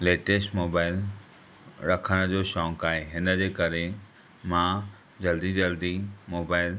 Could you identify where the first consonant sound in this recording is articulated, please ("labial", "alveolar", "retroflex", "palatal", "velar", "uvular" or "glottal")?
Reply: alveolar